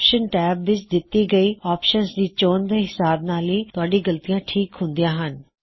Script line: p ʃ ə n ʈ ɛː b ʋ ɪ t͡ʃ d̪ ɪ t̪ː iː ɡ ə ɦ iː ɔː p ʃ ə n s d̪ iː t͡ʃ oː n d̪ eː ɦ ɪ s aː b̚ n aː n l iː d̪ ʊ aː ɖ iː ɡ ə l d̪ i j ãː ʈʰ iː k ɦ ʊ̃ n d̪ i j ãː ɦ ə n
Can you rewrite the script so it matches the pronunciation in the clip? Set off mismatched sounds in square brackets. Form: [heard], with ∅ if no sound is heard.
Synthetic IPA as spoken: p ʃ ə n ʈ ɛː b ʋ ɪ t͡ʃ d̪ ɪ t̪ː iː ɡ ə [∅] iː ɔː p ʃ ə n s d̪ iː t͡ʃ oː n d̪ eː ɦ ɪ s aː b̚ n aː [∅] l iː [t̪] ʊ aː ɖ iː ɡ ə l [t̪] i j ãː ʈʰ iː k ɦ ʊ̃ n d̪ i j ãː ɦ ə n